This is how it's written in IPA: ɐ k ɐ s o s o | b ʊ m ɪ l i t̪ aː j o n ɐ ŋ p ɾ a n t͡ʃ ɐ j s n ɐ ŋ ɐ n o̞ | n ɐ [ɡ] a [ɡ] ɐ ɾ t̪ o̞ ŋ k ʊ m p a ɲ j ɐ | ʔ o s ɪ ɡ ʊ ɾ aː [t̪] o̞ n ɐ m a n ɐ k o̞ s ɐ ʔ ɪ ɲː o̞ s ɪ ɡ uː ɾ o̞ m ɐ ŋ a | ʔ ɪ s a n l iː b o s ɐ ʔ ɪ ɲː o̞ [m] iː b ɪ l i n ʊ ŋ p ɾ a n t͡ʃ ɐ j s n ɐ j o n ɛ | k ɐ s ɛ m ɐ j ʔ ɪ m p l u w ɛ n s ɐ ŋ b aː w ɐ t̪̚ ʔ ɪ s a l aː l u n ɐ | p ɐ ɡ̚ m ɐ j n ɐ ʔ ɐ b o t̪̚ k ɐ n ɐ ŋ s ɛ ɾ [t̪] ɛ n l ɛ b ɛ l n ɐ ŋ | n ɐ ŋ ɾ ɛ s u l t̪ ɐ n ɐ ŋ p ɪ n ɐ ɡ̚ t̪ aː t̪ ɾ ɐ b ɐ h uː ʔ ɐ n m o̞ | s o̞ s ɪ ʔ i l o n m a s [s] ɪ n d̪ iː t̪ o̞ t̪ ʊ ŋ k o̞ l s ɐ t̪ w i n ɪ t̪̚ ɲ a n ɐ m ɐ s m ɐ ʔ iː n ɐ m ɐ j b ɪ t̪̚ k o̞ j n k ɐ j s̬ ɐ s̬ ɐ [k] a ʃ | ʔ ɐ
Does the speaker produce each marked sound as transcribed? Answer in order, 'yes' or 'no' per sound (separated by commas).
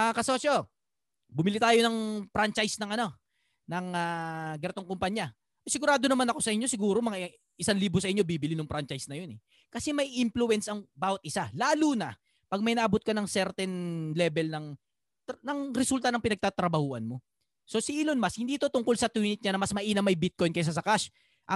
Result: no, yes, no, no, yes, no, yes